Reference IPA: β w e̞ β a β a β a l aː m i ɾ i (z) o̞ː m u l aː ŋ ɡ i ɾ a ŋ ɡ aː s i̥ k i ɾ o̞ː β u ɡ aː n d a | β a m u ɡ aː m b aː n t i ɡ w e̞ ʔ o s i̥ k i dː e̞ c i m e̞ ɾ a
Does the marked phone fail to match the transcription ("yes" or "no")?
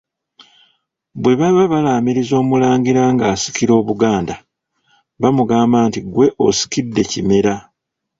no